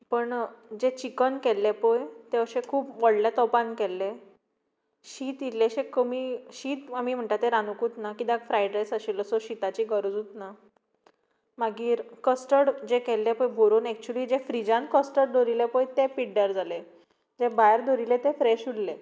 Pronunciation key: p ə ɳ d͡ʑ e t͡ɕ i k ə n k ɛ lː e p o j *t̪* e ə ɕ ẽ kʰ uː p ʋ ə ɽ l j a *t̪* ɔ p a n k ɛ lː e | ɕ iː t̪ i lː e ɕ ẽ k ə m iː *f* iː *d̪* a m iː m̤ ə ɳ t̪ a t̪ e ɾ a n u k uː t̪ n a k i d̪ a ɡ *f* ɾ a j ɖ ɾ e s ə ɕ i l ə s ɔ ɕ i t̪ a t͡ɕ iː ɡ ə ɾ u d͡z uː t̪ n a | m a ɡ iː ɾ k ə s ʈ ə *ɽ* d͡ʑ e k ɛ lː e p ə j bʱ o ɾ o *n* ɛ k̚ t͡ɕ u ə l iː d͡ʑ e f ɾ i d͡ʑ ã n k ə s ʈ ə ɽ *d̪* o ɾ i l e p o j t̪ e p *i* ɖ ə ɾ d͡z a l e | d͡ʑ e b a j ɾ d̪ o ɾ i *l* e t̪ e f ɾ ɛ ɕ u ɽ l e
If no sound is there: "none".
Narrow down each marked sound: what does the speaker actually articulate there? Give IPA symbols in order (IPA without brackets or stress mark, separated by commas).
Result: t̪, t̪, ɕ, t̪, f, ɽ, n, d̪, i, l